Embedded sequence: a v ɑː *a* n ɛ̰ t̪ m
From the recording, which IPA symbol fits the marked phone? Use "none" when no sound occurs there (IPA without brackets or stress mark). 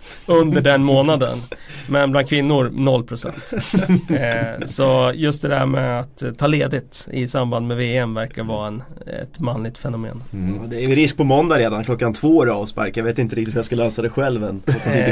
ɛ